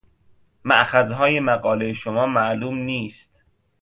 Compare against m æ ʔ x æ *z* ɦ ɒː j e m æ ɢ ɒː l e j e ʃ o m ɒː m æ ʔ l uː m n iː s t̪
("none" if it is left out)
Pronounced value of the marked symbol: z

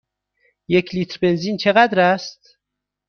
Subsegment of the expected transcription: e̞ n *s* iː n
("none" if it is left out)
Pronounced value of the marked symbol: z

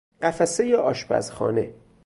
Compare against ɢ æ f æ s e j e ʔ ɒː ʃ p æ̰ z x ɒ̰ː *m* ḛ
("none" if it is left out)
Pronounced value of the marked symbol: n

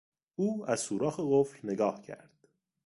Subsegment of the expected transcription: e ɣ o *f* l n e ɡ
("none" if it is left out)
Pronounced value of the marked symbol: f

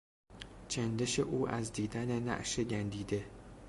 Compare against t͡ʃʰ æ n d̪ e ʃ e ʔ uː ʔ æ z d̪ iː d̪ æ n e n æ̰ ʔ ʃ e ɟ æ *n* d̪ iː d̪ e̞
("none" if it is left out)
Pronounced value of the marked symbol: n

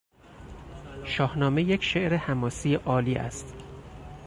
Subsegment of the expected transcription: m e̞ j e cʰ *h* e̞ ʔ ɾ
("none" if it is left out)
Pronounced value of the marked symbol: ʃ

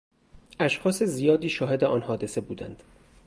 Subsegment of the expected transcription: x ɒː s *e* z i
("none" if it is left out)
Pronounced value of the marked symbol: e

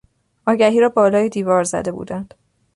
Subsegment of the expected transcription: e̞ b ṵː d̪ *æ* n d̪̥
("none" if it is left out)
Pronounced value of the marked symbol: æ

